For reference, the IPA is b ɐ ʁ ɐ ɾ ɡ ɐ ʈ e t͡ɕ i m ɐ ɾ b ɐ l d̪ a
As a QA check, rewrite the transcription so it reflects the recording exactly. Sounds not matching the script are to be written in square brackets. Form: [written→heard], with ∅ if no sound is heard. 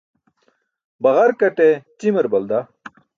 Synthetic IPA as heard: b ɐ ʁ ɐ ɾ [ɡ→k] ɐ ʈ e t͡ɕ i m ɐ ɾ b ɐ l d̪ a